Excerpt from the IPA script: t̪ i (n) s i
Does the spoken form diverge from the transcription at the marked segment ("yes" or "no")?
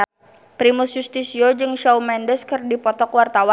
yes